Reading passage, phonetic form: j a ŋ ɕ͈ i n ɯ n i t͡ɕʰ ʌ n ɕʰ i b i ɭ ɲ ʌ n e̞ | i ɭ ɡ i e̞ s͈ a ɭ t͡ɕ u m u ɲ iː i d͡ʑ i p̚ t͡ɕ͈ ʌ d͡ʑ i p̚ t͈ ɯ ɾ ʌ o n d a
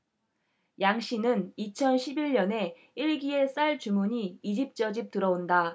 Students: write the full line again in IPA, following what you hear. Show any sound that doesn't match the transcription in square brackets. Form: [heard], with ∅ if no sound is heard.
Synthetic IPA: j a ŋ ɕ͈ i n ɯ n i t͡ɕʰ ʌ n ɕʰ i b i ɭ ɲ ʌ n e̞ | i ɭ ɡ i e̞ s͈ a ɭ t͡ɕ u m u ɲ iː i d͡ʑ i p̚ t͡ɕ͈ ʌ d͡ʑ i p̚ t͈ ɯ ɾ ʌ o n d a